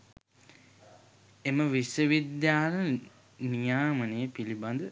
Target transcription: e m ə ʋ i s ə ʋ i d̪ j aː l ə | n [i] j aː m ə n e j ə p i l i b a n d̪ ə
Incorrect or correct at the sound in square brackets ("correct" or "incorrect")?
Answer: correct